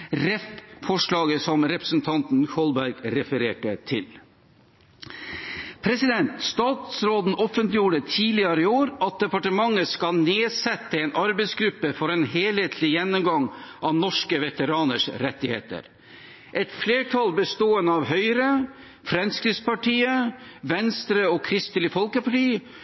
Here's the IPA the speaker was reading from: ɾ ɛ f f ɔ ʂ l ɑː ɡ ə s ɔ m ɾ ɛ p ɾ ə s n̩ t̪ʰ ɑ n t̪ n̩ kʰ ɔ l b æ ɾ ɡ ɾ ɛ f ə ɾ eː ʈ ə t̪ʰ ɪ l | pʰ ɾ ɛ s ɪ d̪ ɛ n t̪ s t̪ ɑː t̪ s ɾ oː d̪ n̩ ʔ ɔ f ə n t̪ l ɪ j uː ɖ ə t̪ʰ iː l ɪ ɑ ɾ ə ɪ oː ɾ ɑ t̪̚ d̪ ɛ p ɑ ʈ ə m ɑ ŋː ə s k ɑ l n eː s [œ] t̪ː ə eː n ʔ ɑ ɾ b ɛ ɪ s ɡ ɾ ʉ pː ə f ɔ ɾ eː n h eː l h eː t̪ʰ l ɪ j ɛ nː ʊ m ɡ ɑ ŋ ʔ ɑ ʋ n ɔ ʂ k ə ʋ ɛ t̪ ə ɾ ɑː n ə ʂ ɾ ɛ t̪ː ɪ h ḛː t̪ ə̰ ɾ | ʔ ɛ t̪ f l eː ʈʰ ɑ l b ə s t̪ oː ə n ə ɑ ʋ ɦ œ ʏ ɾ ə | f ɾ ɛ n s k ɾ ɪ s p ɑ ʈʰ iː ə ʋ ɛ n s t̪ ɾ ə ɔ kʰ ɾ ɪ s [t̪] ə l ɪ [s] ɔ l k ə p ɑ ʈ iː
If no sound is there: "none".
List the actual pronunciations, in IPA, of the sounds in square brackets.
ɛ, t̪, f

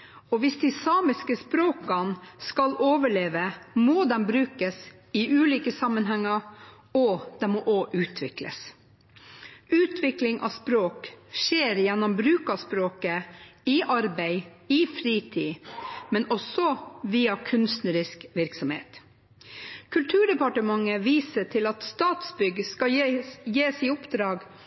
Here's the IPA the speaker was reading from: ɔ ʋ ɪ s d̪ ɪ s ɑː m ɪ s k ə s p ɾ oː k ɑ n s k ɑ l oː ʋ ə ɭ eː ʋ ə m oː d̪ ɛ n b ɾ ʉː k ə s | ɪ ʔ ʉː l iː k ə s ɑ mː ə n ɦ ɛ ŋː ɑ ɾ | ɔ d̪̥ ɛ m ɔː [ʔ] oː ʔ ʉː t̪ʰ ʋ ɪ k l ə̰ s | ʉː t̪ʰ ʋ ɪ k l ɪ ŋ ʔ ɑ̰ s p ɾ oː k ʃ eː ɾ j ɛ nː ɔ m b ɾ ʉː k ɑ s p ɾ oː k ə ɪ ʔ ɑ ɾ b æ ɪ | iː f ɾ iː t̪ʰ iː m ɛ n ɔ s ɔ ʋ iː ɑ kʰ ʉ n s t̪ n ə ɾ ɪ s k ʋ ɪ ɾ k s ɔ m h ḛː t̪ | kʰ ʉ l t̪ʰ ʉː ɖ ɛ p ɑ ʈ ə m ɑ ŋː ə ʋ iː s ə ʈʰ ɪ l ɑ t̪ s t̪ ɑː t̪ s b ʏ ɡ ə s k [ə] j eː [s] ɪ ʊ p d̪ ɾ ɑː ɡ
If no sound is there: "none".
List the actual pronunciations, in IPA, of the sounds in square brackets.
ʔ, ɑ, s

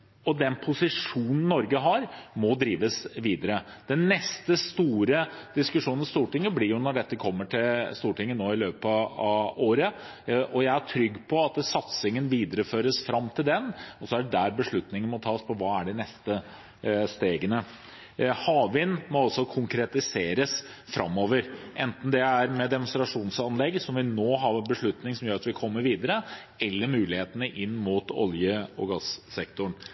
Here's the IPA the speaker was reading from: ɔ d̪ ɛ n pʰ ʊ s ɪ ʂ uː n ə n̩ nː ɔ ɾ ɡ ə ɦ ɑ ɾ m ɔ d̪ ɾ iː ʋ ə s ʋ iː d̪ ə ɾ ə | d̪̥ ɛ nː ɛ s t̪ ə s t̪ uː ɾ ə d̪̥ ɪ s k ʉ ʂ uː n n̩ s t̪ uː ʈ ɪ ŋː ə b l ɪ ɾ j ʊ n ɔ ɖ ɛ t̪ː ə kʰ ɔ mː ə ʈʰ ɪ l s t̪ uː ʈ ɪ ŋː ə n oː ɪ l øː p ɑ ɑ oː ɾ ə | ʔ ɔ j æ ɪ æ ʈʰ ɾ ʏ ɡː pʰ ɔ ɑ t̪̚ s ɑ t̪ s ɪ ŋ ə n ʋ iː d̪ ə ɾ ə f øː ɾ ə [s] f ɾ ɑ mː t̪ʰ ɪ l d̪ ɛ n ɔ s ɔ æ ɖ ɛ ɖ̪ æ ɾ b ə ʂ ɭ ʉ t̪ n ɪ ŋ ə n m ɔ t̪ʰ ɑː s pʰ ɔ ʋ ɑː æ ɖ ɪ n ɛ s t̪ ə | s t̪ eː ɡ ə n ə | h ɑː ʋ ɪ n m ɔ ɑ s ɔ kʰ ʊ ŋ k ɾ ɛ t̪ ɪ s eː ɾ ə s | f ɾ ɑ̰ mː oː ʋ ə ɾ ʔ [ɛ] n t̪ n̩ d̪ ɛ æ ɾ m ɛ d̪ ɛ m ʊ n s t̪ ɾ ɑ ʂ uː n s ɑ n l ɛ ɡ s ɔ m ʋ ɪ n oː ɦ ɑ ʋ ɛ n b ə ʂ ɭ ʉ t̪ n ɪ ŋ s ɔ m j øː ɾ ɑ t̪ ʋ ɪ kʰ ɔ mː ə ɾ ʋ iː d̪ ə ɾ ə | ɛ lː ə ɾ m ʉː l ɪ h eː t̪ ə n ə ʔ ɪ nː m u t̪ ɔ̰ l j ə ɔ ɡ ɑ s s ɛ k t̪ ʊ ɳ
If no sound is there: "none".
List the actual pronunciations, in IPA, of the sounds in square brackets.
s, ɛ

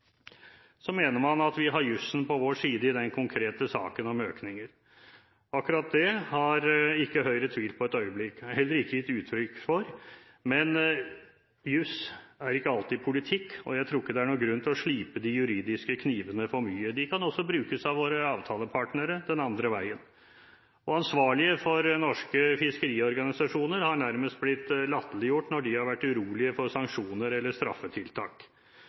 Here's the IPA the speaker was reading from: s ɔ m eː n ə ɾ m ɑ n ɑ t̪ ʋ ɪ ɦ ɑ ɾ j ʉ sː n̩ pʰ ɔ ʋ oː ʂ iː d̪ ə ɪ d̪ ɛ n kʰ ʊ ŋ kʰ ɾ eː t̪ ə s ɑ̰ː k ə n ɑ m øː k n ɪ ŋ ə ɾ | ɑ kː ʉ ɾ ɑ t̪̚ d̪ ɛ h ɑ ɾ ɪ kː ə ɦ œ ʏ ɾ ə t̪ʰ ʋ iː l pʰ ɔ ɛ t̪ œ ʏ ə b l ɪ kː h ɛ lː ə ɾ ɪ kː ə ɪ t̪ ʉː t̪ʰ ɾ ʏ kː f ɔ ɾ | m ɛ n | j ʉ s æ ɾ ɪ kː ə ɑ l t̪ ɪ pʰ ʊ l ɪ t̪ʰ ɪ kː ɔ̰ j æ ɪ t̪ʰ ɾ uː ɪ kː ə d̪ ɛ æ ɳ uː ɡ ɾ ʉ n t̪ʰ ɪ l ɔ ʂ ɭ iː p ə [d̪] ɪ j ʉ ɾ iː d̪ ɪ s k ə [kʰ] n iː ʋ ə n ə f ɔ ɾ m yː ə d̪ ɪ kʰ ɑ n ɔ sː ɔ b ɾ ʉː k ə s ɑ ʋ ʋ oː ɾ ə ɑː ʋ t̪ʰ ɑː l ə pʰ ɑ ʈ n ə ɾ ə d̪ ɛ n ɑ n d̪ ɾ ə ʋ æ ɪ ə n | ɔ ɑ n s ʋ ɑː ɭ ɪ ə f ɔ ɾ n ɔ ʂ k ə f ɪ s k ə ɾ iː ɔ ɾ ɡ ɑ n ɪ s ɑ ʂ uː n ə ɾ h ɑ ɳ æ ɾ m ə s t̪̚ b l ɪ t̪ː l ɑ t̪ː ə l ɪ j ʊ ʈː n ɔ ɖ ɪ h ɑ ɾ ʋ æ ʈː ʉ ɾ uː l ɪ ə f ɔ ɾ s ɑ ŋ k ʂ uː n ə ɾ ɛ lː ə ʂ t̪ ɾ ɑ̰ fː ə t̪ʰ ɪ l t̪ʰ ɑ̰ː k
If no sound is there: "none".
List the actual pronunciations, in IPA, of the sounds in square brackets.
d̪, kʰ

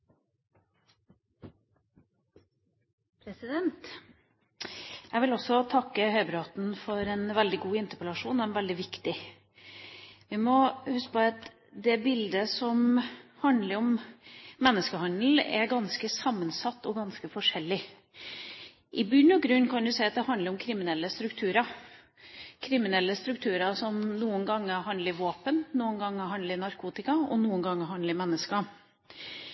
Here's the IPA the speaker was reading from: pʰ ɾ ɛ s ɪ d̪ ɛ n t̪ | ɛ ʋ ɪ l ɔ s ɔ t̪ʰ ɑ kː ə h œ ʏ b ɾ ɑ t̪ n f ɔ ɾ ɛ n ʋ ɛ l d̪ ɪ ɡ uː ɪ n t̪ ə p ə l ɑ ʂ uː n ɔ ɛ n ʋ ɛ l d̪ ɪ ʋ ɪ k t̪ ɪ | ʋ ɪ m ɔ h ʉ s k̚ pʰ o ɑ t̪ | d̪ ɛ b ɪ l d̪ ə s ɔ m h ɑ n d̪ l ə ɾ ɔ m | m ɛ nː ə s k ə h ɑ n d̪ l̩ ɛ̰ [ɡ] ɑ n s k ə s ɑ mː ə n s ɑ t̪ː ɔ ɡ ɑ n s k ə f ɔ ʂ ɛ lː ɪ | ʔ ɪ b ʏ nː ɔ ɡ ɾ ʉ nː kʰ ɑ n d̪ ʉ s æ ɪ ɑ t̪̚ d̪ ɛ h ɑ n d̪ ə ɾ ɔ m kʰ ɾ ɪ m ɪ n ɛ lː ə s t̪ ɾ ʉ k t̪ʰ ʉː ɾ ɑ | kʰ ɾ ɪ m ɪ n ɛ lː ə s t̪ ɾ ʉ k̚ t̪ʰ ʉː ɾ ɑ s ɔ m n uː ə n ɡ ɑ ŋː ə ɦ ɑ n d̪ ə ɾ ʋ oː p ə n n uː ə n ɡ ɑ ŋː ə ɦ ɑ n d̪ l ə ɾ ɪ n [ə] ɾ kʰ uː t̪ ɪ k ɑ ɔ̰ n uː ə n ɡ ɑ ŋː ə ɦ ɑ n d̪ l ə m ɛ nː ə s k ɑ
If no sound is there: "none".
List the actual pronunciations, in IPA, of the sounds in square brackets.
ɡ, ɑ

